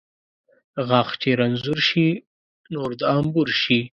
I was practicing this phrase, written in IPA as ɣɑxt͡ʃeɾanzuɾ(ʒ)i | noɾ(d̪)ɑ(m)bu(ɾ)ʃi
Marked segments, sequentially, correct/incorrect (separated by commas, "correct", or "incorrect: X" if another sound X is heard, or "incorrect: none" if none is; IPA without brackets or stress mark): incorrect: ʃ, correct, correct, correct